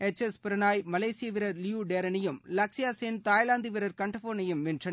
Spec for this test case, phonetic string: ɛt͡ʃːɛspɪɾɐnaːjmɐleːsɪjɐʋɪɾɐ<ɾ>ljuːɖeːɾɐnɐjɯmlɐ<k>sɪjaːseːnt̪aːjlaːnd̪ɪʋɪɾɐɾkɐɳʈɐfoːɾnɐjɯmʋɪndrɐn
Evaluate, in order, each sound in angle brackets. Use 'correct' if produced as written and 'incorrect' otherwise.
correct, correct

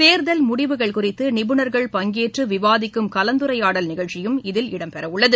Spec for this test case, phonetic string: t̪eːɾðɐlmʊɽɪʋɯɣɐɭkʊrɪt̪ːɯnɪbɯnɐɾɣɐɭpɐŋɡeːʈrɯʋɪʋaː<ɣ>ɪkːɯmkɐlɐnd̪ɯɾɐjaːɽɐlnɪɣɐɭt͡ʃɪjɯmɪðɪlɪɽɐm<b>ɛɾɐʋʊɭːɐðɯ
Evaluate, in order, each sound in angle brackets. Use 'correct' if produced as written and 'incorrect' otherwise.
incorrect: ð, incorrect: p

